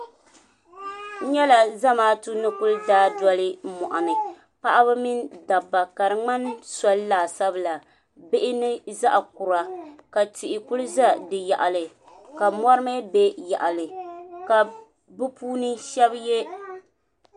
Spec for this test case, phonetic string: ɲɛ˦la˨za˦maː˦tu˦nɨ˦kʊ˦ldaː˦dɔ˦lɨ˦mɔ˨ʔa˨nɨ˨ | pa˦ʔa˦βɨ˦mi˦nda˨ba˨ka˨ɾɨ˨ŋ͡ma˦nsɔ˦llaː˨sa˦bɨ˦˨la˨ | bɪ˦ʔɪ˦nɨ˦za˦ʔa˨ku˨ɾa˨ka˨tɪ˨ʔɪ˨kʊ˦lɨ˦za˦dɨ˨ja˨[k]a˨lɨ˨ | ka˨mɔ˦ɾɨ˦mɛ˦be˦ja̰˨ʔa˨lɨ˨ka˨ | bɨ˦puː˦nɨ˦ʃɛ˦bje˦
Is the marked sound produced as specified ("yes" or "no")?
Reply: no